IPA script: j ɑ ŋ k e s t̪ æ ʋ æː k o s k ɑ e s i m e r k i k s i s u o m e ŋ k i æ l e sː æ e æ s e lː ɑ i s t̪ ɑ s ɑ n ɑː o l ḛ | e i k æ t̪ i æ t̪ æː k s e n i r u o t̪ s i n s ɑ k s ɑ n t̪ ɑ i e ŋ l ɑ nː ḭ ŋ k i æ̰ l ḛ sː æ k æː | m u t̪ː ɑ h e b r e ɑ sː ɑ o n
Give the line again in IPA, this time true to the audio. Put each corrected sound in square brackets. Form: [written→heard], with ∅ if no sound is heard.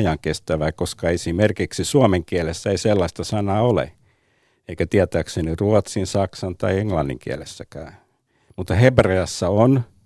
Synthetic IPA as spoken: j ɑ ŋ k e s t̪ æ ʋ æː k o s k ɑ e s i m e r k i k s i s u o m e ŋ k i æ l e sː æ e [æ→i] s e lː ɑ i s t̪ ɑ s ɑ n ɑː o l ḛ | e i k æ t̪ i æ t̪ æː k s e n i r u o t̪ s i n s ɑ k s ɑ n t̪ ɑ i e ŋ l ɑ nː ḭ ŋ k i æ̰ l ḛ sː æ k æː | m u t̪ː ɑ h e b r e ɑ sː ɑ o n